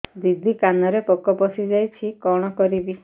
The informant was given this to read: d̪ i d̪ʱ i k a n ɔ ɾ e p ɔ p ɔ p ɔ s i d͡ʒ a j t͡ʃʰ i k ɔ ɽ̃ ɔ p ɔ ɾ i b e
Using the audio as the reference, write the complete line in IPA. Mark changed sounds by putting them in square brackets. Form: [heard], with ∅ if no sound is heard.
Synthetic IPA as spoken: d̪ i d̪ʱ i k a n ɔ ɾ e p ɔ [k] ɔ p ɔ s i d͡ʒ a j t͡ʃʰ i k ɔ ɽ̃ ɔ [k] ɔ ɾ i b [i]

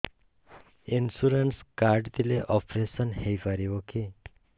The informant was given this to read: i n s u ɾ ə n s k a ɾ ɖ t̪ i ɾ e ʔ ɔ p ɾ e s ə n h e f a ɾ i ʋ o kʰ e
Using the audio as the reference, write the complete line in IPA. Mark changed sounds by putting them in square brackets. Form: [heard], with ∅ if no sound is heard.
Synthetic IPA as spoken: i n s u ɾ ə n s k a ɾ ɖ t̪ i [l] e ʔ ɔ p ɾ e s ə n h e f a ɾ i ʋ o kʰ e

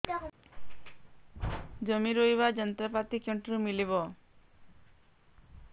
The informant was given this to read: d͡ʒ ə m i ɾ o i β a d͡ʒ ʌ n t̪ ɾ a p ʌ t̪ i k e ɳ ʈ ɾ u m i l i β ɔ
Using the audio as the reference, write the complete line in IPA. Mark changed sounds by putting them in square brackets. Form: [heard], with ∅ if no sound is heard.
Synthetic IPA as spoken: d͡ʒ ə m i ɾ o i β a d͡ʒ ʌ n t̪ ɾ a p [a] t̪ i k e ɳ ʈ ɾ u m i l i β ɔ

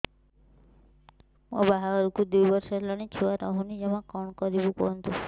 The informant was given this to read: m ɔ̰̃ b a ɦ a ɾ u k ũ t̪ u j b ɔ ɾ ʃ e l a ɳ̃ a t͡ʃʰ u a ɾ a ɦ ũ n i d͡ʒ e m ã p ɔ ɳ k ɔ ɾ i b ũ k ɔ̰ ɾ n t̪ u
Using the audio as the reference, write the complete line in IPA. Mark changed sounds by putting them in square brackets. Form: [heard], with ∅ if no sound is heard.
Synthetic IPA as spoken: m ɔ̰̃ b a ɦ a ɾ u k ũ [d̪] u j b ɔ ɾ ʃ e l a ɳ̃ [i] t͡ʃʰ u a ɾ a ɦ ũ n i d͡ʒ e m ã [k] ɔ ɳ k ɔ ɾ i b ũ k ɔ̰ [∅] n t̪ u

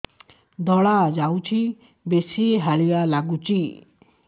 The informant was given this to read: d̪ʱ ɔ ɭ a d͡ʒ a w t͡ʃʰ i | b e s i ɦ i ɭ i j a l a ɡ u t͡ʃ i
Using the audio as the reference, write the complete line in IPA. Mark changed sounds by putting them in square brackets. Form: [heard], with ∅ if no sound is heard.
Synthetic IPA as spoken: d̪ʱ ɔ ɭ a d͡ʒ a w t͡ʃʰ i | b e s i ɦ [a] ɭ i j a l a ɡ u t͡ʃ i

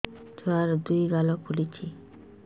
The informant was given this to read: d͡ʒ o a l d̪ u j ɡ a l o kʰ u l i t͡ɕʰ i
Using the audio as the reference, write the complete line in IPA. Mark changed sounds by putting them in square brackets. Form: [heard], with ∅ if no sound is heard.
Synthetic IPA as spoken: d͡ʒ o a [ɾ] d̪ u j ɡ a l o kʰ u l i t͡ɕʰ i

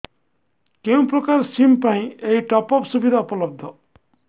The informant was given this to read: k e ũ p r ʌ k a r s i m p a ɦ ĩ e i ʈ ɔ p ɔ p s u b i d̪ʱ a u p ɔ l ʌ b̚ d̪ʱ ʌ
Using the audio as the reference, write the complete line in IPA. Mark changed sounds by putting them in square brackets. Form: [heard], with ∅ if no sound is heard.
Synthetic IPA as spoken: k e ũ p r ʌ k a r s i m p a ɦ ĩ e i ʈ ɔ p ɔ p s u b i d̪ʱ a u p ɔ l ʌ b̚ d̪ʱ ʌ

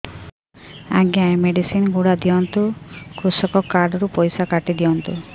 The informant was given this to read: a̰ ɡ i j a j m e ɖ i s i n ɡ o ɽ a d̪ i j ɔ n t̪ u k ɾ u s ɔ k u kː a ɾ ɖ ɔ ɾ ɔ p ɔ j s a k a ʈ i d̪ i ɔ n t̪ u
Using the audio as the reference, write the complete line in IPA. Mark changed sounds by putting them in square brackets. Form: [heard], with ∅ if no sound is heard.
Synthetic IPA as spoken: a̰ ɡ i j a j m e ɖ i s i n ɡ [u] ɽ a d̪ i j ɔ n t̪ u k ɾ u s ɔ k [ɔ] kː a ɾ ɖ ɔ ɾ [u] p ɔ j s a k a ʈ i d̪ i ɔ n t̪ u

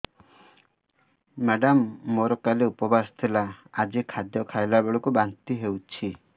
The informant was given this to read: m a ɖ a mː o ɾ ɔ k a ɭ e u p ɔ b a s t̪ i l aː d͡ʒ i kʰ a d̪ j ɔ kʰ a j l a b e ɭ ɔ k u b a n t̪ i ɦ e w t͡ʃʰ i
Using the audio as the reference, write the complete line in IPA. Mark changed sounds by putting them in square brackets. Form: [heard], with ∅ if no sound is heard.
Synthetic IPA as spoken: m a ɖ a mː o ɾ ɔ k a [l] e u p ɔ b a s [t̪ʰ] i l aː d͡ʒ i kʰ a d̪ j ɔ kʰ a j l a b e ɭ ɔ k u b a n t̪ i ɦ e w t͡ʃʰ i

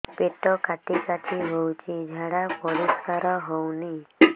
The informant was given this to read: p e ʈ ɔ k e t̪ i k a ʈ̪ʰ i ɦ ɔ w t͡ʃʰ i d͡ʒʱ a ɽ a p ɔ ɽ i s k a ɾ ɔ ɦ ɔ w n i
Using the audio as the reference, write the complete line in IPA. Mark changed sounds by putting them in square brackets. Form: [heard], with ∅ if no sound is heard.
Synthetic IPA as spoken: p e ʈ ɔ k [a] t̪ i k a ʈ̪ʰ i ɦ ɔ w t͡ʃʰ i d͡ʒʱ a ɽ a p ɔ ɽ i s k a ɾ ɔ ɦ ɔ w n i

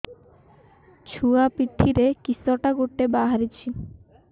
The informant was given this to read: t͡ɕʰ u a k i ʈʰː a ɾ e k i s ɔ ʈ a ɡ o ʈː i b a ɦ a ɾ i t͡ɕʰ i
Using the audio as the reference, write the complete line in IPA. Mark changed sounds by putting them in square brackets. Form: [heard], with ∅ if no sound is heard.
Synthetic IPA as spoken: t͡ɕʰ u a [p] i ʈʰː [i] ɾ e k i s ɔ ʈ a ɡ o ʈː [e] b a ɦ a ɾ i t͡ɕʰ i

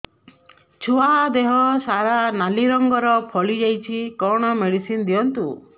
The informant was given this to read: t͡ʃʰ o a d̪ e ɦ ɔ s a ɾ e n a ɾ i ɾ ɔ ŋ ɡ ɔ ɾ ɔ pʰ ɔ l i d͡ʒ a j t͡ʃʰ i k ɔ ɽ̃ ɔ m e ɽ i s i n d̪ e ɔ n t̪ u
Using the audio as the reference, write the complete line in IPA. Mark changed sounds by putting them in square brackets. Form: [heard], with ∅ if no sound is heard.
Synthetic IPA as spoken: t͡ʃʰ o a d̪ e ɦ ɔ s a ɾ [a] n a [l] i ɾ ɔ ŋ ɡ ɔ ɾ ɔ pʰ ɔ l i d͡ʒ a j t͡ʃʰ i k ɔ ɽ̃ ɔ m e ɽ i s i n d̪ [i] ɔ n t̪ u

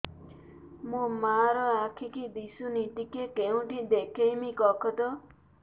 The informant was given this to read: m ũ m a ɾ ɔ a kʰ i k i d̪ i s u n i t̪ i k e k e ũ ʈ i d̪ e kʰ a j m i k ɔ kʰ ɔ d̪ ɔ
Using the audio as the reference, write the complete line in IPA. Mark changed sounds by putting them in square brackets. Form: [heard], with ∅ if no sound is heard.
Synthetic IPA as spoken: m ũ m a ɾ ɔ a kʰ i k i d̪ i s u n i t̪ i k e k e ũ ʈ i d̪ e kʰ [e] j m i k ɔ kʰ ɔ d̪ ɔ

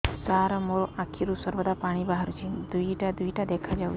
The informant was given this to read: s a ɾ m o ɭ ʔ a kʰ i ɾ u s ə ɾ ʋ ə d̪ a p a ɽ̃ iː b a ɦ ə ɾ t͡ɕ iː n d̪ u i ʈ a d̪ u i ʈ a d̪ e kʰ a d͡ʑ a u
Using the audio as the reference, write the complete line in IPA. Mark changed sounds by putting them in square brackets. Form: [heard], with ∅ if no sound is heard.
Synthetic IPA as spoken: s a ɾ m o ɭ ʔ a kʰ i ɾ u s ə ɾ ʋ ə d̪ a p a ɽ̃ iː b a ɦ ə ɾ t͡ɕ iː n d̪ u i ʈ a d̪ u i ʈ a d̪ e kʰ a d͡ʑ a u

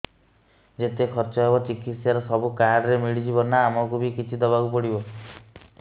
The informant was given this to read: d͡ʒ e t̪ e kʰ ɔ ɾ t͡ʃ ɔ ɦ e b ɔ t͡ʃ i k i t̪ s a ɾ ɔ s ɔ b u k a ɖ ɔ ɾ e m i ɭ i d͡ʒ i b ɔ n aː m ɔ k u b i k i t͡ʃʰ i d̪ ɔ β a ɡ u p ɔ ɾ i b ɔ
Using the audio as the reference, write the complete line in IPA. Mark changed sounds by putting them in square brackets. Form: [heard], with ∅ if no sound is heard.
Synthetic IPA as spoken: d͡ʒ e t̪ e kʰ ɔ ɾ t͡ʃ ɔ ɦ e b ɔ t͡ʃ i k i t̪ s a ɾ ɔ s ɔ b u k a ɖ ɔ ɾ e m i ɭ i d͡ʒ i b ɔ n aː m ɔ k u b i k i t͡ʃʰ i d̪ ɔ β a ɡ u p ɔ [ɽ] i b ɔ

